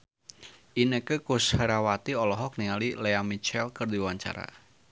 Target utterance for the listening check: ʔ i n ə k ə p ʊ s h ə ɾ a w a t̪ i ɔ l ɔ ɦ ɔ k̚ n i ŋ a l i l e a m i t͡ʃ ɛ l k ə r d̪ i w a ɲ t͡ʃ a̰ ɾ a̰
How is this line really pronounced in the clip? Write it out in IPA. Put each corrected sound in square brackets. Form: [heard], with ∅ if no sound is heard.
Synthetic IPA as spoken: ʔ i n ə k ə [k] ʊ s h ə ɾ a w a t̪ i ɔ l ɔ ɦ ɔ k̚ n i ŋ a l i l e a m i t͡ʃ ɛ l k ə r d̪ i w a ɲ t͡ʃ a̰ ɾ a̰